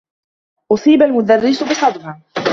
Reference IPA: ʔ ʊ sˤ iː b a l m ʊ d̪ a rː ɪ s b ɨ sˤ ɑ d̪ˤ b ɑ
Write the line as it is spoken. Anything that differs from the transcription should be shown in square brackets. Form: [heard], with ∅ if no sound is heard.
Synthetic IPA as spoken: ʔ ʊ sˤ iː b a l m ʊ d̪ a rː ɪ s b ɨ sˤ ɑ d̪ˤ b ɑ